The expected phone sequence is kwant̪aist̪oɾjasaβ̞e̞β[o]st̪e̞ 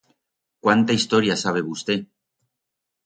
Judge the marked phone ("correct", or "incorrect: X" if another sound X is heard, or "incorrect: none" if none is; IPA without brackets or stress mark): incorrect: u